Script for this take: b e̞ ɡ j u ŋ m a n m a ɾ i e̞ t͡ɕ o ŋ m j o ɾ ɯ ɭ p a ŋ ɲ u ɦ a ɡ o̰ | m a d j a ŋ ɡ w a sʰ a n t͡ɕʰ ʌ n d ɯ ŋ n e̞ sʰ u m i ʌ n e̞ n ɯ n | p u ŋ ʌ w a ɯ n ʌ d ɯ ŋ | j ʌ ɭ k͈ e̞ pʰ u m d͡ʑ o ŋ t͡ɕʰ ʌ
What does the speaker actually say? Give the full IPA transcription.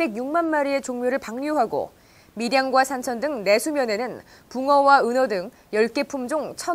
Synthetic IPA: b e̞ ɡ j u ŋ m a n m a ɾ i e̞ t͡ɕ o ŋ m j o ɾ ɯ ɭ p a ŋ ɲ u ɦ a ɡ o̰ | m i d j a ŋ ɡ w a sʰ a n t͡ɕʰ ʌ n d ɯ ŋ n e̞ sʰ u m j ʌ n e̞ n ɯ n | p u ŋ ʌ w a ɯ n ʌ d ɯ ŋ | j ʌ ɭ k͈ e̞ pʰ u m d͡ʑ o ŋ t͡ɕʰ ʌ